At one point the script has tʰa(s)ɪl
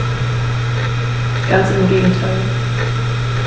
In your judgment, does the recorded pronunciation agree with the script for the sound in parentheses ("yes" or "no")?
no